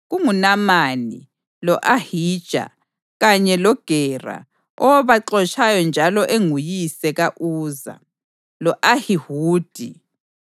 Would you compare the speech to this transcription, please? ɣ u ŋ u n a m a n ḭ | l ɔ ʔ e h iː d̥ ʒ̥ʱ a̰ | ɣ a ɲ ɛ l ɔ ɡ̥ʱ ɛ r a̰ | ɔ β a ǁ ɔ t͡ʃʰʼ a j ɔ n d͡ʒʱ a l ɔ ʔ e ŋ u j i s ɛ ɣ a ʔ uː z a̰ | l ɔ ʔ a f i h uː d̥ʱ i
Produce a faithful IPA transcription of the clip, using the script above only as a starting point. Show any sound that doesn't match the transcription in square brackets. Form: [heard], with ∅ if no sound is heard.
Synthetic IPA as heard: ɣ u ŋ u n a m a n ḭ | l ɔ ʔ [a] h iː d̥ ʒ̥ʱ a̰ | ɣ a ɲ ɛ l ɔ ɡ̥ʱ ɛ r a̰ | ɔ β a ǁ ɔ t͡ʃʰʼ a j ɔ n d͡ʒʱ a l ɔ ʔ e ŋ u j i s ɛ ɣ a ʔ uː z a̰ | l ɔ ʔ a [h] i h uː d̥ʱ i